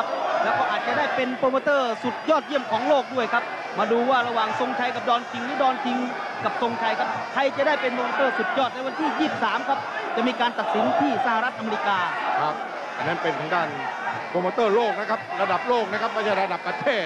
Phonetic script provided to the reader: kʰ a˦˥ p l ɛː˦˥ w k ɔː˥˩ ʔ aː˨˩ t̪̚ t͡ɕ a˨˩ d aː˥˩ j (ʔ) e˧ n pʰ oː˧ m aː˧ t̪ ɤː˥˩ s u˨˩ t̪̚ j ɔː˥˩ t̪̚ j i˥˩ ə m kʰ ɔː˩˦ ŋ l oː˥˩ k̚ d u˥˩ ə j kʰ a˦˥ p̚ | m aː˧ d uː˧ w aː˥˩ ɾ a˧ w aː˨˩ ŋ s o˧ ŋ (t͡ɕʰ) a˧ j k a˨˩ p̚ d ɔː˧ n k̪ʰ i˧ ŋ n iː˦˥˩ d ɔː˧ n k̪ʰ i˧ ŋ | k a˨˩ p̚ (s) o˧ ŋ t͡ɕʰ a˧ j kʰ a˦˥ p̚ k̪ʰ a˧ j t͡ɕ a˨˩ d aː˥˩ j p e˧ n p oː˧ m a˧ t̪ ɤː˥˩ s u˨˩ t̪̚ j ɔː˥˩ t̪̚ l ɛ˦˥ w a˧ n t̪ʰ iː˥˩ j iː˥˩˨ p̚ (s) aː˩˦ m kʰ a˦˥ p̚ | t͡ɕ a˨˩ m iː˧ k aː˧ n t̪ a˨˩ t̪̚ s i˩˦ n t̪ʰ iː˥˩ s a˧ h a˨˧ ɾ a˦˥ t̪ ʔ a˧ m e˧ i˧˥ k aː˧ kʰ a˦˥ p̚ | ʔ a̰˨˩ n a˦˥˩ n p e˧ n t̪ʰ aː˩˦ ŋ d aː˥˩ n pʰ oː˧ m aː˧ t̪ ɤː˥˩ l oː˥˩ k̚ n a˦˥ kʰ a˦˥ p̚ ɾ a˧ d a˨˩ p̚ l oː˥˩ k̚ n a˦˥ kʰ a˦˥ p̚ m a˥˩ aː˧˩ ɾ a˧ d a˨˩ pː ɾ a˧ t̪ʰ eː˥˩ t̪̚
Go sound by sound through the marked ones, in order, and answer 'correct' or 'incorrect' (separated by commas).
incorrect, correct, correct, correct